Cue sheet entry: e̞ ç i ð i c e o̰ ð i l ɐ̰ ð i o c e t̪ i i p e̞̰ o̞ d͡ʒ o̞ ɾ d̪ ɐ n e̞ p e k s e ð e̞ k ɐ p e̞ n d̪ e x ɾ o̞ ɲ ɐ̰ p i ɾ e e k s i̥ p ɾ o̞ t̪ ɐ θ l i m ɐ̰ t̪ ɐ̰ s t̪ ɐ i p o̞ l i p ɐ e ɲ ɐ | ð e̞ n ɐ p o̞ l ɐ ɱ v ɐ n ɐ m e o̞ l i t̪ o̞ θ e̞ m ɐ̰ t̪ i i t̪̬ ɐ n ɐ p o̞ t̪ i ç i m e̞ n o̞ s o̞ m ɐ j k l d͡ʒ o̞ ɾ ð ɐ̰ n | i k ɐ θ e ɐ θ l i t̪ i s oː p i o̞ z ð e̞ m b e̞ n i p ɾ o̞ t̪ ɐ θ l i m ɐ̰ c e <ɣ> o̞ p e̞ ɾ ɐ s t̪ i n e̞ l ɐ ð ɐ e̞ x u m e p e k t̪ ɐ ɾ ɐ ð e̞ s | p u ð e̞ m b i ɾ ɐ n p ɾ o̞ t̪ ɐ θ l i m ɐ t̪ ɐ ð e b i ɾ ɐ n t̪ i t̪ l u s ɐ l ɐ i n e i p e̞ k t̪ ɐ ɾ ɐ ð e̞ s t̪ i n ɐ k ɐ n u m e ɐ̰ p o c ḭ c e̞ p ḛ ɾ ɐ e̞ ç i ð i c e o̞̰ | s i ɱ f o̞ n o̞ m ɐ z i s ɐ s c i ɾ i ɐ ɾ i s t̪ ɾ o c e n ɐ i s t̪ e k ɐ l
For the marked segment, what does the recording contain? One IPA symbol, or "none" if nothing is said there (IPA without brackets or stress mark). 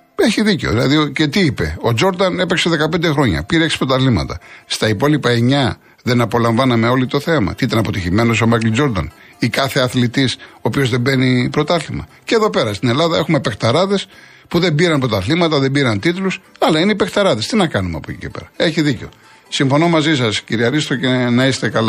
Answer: ð